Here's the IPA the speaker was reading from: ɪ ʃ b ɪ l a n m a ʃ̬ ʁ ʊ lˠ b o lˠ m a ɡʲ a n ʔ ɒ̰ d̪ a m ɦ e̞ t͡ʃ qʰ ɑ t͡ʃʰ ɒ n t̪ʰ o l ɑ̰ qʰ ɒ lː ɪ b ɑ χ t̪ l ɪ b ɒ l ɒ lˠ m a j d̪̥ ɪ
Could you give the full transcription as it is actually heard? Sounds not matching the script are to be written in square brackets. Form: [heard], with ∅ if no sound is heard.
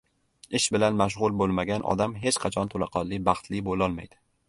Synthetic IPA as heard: ɪ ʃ b ɪ l a n m a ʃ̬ ʁ ʊ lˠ b o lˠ m a ɡʲ a n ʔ ɒ̰ d̪ a m ɦ e̞ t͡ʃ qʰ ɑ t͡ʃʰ ɒ n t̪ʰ o l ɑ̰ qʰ ɒ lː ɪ b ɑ χ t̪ l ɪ b [o] l ɒ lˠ m a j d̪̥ ɪ